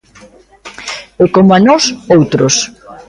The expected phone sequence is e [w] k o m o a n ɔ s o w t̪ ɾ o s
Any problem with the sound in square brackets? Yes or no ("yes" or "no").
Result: yes